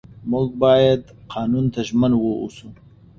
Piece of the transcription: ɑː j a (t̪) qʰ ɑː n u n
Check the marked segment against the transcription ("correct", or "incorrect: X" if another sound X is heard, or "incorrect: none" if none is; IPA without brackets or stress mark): incorrect: d̪